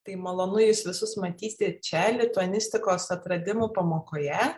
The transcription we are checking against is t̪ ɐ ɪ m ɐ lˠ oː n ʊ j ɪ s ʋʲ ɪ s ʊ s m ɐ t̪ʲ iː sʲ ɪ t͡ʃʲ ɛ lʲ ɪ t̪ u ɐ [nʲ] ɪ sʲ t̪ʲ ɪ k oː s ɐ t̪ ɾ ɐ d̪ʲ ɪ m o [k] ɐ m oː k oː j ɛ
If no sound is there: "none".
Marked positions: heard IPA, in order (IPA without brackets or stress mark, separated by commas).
nʲ, p